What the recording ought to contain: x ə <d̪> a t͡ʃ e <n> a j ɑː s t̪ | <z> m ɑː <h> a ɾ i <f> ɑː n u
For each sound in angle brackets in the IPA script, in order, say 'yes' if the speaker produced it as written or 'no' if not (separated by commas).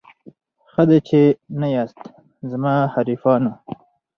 yes, yes, yes, yes, yes